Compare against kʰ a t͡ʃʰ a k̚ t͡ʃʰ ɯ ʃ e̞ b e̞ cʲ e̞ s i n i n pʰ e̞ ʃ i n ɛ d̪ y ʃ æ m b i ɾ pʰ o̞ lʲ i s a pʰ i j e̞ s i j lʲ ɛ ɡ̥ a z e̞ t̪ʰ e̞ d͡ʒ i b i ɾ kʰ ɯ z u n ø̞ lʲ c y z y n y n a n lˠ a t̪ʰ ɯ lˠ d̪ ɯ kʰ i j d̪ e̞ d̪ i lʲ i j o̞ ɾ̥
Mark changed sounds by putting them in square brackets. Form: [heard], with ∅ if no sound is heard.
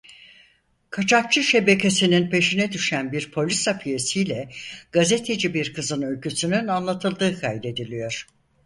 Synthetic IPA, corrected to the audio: kʰ a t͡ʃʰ a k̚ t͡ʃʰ ɯ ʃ e̞ b e̞ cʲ e̞ s i n i n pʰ e̞ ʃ i n ɛ d̪ y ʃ æ [n] b i ɾ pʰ o̞ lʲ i s a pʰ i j e̞ s i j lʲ ɛ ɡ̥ a z e̞ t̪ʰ e̞ d͡ʒ i b i ɾ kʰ ɯ z [ɯ] n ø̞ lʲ c y [s] y n y n a n lˠ a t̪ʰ ɯ lˠ d̪ [ɯː] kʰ [a] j d̪ e̞ d̪ i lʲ i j o̞ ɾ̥